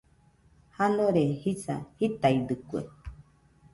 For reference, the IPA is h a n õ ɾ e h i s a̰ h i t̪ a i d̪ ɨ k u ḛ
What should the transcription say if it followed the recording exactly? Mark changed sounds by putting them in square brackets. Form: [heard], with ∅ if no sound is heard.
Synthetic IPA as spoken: h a n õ ɾ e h i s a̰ h i t̪ a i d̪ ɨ k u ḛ